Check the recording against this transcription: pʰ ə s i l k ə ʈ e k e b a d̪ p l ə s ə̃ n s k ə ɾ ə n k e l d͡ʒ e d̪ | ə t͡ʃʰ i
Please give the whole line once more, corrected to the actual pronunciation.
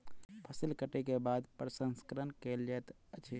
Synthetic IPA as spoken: pʰ ə s i l k ə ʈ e k e b a d̪ p ɾ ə s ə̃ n s k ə ɾ ə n k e l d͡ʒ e t̪ | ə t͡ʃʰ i